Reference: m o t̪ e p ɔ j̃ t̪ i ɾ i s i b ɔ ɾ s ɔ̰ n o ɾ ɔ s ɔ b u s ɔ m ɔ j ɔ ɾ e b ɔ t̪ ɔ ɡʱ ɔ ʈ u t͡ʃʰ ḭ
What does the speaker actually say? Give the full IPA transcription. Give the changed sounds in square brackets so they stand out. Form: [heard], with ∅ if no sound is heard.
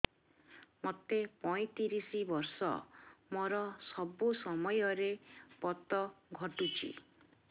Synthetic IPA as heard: m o t̪ e p ɔ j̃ t̪ i ɾ i s i b ɔ ɾ s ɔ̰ [m] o ɾ ɔ s ɔ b u s ɔ m ɔ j ɔ ɾ e [p] ɔ t̪ ɔ ɡʱ ɔ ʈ u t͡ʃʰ ḭ